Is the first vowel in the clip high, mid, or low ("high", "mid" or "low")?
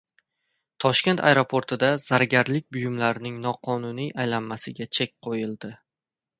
low